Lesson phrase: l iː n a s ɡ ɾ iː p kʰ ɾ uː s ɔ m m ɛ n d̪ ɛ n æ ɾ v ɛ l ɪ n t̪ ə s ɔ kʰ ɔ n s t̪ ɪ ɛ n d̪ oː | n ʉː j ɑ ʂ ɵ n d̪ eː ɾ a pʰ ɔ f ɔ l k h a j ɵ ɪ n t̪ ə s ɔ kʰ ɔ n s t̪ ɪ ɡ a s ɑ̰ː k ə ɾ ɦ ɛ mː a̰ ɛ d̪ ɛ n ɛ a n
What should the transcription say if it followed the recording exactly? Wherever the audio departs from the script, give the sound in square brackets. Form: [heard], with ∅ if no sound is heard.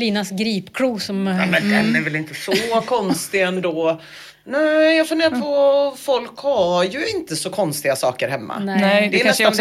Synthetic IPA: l iː n a s ɡ ɾ iː p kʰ ɾ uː s ɔ m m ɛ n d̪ ɛ n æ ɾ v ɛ l ɪ n t̪ ə s ɔ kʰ ɔ n s t̪ ɪ ɛ n d̪ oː | n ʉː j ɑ [f] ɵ n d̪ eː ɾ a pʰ ɔ f ɔ l k h a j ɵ ɪ n t̪ ə s ɔ kʰ ɔ n s t̪ ɪ ɡ a s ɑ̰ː k ə ɾ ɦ ɛ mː a̰ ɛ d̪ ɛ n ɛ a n